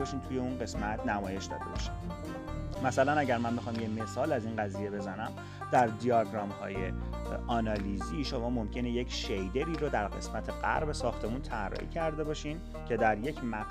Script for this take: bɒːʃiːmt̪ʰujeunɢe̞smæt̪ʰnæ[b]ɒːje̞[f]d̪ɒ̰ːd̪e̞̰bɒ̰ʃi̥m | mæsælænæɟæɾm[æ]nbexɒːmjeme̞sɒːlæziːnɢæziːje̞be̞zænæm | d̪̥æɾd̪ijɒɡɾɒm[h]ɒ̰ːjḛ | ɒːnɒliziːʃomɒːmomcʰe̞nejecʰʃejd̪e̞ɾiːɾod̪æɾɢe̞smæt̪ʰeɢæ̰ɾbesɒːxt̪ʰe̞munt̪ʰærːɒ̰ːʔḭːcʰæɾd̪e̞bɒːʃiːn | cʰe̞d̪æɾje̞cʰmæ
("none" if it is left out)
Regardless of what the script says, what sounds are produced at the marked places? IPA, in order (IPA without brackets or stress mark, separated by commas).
m, ʃ, æ, h